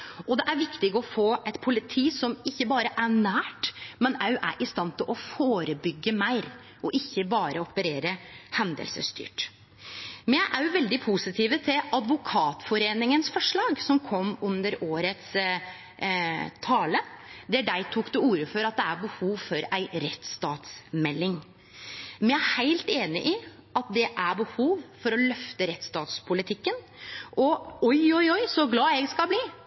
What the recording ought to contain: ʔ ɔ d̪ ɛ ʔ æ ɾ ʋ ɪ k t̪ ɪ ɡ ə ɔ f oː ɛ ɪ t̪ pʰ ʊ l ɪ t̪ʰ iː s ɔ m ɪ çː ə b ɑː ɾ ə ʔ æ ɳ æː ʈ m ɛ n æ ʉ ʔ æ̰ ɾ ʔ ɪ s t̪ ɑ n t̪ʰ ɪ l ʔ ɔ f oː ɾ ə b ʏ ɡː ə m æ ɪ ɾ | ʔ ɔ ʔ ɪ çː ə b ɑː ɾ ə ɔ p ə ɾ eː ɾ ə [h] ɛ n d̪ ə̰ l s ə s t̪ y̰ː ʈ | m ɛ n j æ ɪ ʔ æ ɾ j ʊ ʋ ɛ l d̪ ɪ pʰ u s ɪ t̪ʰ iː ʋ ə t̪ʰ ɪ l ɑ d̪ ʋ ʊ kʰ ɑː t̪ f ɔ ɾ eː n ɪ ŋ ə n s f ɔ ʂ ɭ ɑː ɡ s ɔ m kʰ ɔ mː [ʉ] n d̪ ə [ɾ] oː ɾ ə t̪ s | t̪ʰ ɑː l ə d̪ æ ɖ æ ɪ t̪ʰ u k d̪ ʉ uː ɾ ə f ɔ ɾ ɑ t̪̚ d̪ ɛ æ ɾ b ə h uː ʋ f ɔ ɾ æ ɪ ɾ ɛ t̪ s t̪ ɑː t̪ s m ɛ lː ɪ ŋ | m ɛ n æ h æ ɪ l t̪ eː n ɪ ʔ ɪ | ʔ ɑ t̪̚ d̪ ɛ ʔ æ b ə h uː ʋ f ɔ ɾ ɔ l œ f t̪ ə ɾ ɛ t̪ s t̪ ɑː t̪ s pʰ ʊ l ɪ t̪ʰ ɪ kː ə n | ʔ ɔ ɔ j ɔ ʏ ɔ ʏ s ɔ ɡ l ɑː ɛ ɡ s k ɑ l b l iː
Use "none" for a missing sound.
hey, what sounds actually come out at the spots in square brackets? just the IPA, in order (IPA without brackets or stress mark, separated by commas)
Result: h, ʉ, ɾ